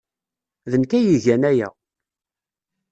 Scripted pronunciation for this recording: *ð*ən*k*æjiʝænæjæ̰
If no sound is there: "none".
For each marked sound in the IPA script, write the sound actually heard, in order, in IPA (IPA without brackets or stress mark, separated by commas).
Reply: ð, k